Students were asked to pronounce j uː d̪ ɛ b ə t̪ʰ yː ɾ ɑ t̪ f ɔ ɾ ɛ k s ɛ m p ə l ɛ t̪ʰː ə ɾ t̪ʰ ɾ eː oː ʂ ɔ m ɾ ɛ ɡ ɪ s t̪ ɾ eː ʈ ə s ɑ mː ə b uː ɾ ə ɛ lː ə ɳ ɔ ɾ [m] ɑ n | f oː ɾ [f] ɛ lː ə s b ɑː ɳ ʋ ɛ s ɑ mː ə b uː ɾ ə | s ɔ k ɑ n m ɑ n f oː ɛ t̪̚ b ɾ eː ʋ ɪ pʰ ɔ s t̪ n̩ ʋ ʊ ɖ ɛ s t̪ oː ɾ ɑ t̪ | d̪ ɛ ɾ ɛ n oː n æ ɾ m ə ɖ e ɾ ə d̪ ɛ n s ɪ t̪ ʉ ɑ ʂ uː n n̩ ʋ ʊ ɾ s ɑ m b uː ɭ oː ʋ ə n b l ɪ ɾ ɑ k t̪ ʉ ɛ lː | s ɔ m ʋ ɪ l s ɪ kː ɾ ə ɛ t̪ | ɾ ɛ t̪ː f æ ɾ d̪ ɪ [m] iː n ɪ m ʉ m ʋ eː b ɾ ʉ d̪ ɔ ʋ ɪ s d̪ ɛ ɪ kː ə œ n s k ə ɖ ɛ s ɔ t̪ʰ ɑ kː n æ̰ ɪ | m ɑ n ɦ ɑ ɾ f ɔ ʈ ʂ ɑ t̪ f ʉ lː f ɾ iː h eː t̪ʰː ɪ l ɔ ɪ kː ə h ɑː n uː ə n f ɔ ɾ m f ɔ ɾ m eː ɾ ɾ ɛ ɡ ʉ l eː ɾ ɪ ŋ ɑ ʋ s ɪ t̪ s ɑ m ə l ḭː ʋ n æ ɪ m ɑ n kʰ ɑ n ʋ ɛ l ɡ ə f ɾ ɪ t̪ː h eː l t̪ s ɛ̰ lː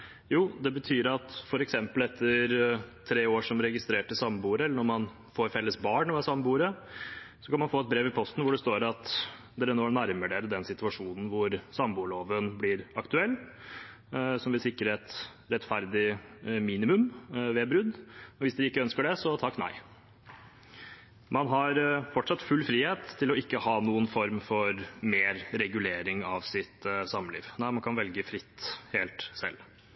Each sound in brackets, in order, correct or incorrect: correct, correct, correct

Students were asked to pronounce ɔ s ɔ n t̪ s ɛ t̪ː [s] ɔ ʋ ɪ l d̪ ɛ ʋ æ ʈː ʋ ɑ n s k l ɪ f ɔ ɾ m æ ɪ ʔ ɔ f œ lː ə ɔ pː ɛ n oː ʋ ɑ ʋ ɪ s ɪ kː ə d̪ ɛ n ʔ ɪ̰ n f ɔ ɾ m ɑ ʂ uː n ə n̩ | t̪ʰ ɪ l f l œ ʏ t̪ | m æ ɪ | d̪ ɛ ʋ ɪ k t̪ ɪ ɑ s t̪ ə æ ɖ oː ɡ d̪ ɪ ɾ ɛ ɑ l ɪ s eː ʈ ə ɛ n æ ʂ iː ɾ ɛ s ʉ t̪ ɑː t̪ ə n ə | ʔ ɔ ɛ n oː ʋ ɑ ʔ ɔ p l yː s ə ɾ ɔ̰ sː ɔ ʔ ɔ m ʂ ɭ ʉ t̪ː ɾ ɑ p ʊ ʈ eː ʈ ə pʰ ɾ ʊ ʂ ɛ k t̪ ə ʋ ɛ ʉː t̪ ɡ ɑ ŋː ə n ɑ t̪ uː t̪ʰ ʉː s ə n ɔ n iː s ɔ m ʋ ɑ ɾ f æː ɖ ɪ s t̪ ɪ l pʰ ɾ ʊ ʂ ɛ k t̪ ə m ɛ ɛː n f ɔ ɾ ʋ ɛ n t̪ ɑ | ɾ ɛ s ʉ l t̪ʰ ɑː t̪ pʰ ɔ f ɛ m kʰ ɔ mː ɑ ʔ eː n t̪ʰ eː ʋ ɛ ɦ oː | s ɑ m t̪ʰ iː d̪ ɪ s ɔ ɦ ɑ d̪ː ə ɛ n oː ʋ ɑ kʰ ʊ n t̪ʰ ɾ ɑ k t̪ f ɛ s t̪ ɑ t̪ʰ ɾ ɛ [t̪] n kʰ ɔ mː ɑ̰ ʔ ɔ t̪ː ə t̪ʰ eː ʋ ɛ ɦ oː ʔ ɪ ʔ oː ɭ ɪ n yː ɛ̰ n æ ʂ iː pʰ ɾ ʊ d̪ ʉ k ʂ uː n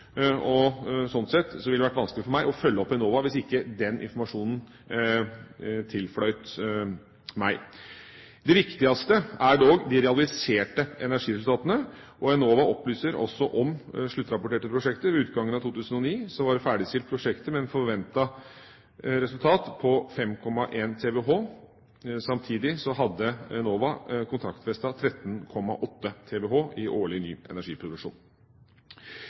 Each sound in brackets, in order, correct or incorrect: correct, correct

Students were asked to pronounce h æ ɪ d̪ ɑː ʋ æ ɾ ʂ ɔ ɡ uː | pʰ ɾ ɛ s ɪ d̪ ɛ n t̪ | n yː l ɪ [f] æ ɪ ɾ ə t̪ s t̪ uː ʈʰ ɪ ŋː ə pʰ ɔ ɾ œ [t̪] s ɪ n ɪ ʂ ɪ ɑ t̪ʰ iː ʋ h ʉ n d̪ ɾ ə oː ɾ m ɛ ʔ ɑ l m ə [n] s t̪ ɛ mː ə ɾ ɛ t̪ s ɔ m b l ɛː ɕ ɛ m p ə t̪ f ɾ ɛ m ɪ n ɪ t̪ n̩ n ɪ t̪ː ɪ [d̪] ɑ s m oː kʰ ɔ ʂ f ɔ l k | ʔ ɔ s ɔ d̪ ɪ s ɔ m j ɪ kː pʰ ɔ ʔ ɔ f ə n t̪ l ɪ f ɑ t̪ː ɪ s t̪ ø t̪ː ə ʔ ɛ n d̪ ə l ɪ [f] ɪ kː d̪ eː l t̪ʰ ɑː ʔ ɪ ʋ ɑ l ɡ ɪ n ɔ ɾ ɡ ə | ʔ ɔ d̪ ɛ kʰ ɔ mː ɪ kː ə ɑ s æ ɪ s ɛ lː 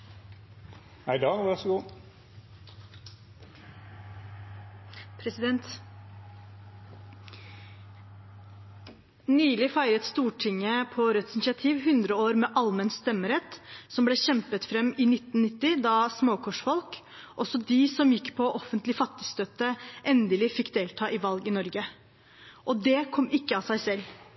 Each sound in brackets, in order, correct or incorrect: correct, correct, correct, correct, correct

